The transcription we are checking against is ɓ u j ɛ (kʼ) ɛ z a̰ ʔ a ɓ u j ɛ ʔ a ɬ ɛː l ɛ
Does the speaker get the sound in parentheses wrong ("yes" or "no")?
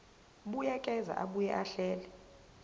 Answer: no